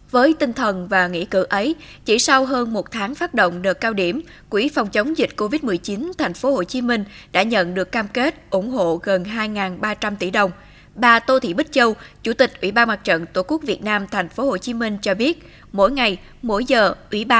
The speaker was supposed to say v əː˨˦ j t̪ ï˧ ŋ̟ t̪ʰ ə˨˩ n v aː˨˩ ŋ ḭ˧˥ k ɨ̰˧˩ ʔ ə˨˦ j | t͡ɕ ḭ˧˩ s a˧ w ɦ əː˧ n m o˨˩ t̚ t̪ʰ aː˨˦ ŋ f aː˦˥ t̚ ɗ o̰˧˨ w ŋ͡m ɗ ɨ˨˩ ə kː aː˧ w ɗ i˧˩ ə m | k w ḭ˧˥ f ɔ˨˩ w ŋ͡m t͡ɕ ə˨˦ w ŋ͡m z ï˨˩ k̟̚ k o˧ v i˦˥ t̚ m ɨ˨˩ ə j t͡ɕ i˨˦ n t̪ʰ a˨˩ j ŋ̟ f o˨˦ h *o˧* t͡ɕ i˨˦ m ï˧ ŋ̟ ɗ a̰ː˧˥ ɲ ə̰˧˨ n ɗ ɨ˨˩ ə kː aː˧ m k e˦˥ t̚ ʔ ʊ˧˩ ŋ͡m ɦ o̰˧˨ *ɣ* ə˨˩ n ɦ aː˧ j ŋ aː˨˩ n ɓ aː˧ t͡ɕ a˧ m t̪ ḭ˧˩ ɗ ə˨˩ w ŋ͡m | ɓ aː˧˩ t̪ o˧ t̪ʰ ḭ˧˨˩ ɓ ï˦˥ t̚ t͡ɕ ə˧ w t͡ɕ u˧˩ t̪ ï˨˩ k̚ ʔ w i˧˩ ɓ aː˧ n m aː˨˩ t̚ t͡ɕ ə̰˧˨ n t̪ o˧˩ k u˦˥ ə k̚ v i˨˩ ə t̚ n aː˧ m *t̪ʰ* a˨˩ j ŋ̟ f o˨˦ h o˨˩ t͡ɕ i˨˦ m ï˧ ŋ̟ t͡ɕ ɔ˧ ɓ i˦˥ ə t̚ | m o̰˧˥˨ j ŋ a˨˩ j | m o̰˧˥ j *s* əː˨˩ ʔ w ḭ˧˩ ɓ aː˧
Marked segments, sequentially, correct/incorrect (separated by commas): incorrect, correct, correct, incorrect